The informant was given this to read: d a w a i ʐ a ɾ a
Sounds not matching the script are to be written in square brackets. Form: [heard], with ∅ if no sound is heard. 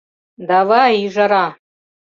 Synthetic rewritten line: d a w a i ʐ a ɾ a